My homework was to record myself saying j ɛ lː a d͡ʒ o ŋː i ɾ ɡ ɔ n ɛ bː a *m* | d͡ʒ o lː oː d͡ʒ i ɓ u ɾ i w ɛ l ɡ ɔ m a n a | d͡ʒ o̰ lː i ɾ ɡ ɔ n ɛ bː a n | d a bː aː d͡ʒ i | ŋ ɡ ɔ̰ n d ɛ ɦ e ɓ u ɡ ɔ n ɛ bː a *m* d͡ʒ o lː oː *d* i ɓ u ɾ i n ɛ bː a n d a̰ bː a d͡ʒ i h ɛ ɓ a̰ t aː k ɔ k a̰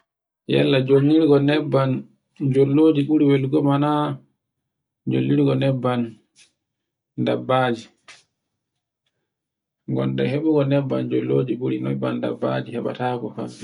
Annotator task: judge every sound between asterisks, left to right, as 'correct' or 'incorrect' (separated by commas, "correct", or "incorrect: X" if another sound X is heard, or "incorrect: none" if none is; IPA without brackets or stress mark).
incorrect: n, incorrect: n, incorrect: d͡ʒ